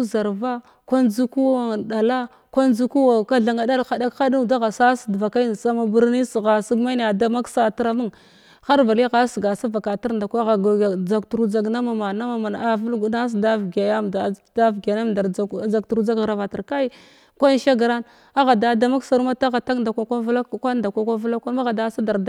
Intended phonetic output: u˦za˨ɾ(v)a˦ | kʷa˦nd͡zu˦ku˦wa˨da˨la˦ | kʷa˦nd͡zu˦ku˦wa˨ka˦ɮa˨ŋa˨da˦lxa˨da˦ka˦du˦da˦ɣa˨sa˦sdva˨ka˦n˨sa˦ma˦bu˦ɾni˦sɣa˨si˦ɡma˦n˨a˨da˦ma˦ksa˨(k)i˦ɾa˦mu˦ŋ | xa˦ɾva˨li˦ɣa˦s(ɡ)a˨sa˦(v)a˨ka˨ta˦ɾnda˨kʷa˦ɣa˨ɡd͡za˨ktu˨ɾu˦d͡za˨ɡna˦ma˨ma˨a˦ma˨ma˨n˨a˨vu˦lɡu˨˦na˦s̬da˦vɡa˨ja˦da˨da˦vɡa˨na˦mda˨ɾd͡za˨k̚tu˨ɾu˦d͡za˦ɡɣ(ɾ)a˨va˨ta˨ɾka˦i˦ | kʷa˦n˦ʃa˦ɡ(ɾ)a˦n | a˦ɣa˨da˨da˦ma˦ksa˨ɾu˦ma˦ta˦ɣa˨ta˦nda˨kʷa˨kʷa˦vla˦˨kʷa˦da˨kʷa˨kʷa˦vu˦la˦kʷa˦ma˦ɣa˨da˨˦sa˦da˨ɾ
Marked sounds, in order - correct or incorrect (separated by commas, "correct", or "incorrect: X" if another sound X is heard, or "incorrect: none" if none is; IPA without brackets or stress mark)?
correct, incorrect: t, correct, correct, correct, correct